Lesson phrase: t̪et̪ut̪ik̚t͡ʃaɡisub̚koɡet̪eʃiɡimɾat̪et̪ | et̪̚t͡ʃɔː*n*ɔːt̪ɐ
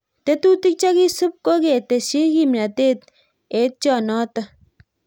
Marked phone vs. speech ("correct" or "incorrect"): correct